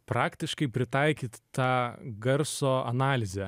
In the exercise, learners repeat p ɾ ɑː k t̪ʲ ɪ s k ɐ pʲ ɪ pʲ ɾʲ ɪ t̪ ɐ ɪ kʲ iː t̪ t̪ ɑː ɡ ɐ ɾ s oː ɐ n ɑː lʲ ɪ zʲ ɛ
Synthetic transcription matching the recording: p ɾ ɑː k t̪ʲ ɪ ʃ k ɐ ɪ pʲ ɾʲ ɪ t̪ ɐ ɪ kʲ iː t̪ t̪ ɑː ɡ ɐ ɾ s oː ɐ n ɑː lʲ ɪ zʲ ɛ